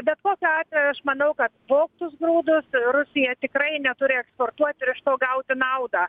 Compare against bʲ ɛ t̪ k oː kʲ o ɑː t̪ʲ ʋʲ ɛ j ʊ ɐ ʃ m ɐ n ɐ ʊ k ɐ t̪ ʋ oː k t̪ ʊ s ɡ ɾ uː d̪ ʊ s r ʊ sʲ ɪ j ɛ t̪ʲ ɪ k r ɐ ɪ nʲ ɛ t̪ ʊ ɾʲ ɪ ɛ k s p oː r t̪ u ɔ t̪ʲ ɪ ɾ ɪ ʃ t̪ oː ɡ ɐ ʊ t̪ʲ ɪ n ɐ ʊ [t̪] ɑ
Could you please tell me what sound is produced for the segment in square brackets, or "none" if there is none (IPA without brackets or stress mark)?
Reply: d̪